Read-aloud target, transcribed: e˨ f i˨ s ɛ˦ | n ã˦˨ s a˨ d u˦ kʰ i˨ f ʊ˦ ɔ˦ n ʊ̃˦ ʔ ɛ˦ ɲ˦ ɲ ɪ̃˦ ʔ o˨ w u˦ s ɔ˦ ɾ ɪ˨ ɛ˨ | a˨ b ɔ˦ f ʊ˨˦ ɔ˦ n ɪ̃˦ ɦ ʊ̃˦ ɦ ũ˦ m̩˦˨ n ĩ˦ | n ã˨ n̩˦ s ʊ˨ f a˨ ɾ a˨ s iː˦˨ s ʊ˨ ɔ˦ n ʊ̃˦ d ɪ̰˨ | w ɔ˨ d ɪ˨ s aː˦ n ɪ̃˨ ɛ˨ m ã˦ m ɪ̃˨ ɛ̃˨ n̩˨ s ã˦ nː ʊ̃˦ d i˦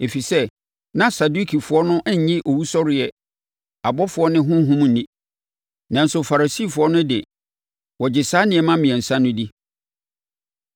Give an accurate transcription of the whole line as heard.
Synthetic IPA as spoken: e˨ f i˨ s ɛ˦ | n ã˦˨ s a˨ d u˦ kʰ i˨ f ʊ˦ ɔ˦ n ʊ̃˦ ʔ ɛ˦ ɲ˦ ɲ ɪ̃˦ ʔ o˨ w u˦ s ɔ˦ ɾ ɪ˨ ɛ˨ | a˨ b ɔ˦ f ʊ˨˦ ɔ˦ n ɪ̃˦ ɦ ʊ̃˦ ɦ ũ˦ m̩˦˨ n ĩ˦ | n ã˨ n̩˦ s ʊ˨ f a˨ ɾ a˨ s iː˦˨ f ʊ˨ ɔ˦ n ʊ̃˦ d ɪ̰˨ | w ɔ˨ d͡ʑ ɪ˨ s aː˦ n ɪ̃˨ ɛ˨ m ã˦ m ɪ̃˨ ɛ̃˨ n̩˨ s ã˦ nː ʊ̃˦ d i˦

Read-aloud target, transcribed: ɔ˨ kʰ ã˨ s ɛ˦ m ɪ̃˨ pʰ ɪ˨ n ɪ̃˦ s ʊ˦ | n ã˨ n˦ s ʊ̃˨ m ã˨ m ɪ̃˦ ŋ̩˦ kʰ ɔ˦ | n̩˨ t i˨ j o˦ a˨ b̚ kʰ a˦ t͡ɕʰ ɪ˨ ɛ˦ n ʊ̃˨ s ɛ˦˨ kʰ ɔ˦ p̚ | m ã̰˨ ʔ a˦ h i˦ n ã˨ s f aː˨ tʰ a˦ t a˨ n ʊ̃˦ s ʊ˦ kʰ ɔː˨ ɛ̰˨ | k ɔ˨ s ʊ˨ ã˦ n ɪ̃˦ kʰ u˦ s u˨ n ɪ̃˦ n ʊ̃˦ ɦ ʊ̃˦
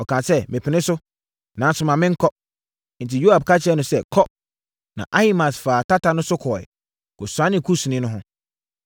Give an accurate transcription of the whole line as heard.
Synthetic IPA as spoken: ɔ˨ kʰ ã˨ s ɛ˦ m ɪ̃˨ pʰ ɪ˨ n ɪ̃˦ s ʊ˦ | n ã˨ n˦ s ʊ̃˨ m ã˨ m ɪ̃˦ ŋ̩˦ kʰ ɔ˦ | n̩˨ t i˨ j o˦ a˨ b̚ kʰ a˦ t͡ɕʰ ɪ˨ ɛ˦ n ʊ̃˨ s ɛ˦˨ kʰ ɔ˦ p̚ | n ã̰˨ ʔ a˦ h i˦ m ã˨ s f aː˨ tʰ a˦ t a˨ n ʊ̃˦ s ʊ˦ kʰ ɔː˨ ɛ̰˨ | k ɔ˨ s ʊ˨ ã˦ n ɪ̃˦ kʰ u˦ s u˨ n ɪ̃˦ n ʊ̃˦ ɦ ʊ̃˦

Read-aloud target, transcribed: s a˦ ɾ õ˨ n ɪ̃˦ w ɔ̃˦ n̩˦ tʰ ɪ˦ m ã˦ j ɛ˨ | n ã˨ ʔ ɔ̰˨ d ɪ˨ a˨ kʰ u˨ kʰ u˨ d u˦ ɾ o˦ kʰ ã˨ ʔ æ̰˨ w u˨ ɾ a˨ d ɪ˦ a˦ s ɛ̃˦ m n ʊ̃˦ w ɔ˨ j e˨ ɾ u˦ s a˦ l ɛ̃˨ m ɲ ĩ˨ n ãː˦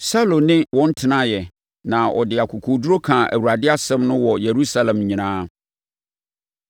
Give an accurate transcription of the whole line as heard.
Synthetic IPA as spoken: s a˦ l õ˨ n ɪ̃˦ w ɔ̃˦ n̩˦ tʰ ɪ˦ n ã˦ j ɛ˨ | n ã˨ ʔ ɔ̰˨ d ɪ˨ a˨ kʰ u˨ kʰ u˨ d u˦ ɾ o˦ kʰ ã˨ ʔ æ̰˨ w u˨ ɾ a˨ d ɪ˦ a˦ s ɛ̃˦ m n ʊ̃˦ w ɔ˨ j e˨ ɾ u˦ s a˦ l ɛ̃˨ m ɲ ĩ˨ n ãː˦

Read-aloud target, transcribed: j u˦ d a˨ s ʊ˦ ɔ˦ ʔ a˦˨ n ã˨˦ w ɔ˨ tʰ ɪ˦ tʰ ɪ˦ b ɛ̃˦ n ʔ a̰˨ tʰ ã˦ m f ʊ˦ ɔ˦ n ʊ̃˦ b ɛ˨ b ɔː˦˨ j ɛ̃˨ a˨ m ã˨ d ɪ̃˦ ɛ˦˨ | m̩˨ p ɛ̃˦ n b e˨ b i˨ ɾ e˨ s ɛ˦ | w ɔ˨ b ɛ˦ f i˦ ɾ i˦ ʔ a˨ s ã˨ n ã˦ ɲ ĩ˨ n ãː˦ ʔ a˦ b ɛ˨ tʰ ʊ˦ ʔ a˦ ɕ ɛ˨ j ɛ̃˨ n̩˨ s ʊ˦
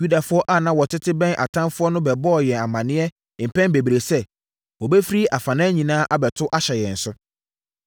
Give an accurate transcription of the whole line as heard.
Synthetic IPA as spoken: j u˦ d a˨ f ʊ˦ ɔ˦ ʔ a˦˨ n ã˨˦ w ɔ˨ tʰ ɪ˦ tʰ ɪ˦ b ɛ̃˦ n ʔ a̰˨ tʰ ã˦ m f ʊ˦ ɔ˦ n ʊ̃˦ b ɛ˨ b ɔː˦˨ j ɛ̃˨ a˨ m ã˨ n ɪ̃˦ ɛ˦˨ | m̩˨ p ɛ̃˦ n b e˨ b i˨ ɾ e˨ s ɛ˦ | w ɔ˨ b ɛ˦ f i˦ ɾ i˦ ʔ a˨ f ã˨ n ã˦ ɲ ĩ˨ n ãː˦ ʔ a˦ b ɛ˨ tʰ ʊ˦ ʔ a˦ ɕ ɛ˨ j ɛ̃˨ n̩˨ s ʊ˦

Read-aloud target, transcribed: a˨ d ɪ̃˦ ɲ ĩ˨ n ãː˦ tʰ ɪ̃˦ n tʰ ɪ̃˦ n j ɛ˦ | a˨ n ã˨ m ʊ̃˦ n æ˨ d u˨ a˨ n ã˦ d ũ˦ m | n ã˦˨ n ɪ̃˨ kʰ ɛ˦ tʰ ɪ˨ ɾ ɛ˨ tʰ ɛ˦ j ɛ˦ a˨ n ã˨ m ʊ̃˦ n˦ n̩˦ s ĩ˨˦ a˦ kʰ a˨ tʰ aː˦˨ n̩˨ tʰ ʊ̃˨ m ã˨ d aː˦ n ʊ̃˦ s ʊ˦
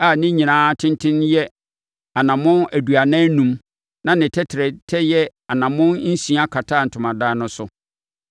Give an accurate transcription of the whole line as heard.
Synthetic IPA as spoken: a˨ n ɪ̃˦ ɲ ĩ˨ n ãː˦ tʰ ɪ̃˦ n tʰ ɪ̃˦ n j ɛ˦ | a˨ n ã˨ m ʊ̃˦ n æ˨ d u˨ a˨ n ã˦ n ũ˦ m | n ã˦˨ n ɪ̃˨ tʰ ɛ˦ tʰ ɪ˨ ɾ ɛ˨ tʰ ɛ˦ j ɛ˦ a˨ n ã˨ m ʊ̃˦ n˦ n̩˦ s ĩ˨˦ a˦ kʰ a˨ tʰ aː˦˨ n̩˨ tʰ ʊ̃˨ m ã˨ d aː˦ n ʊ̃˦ s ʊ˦

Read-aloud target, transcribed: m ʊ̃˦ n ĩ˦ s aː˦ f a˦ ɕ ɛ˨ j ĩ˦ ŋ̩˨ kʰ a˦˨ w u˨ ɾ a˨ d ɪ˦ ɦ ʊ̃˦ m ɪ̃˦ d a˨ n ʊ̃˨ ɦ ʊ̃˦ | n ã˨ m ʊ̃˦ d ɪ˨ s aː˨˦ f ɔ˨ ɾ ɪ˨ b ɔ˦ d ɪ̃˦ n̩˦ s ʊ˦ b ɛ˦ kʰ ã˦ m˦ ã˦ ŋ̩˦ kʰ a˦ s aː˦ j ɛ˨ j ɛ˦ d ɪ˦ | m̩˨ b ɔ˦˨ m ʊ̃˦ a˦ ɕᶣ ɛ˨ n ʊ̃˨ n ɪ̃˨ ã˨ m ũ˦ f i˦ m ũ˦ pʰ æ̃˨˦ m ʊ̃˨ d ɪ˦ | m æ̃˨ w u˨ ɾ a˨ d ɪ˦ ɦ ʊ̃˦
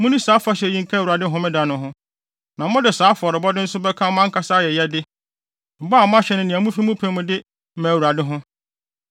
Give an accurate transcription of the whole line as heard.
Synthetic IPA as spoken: m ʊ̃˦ n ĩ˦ s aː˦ f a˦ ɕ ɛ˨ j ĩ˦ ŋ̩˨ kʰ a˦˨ w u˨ ɾ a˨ d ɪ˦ ɦ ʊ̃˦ m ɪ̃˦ d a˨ n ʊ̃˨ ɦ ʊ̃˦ | n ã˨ m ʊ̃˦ d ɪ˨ s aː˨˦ f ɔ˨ ɾ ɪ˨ b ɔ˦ d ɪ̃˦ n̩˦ s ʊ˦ b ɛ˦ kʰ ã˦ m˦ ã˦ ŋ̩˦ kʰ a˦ s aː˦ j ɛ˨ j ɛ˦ d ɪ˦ | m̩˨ b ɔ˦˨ m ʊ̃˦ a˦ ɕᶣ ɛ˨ n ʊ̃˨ n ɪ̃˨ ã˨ m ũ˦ f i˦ m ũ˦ pʰ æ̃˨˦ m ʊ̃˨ d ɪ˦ | m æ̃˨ w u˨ ɾ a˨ d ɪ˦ ɦ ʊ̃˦

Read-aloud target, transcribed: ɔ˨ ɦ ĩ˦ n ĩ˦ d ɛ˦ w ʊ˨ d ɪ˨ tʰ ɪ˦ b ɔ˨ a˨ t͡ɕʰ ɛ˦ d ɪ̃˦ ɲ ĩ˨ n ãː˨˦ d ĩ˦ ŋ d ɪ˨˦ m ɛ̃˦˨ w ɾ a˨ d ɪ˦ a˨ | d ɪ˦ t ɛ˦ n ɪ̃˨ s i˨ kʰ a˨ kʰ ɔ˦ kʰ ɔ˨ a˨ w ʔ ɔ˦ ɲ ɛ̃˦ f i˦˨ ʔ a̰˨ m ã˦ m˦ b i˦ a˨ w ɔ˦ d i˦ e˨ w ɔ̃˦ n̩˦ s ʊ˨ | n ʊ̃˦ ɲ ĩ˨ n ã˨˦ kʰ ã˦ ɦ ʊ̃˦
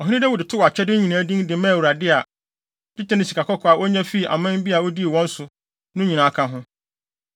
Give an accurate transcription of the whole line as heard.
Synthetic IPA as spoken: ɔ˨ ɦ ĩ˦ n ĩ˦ d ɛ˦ w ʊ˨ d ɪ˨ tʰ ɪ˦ w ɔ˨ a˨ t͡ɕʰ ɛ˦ d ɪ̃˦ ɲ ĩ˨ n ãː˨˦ d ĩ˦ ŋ d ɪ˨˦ m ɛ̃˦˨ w ɾ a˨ d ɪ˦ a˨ | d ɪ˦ t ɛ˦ n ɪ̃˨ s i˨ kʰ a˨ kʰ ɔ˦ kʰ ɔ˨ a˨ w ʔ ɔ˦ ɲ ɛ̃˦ f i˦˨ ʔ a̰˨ m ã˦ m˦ b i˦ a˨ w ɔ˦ d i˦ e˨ w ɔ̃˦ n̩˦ s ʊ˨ | n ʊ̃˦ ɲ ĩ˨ n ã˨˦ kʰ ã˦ ɦ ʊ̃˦

